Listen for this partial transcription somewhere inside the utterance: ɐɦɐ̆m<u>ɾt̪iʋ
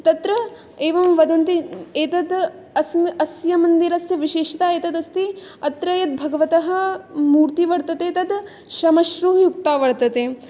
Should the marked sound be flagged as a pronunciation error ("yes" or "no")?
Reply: yes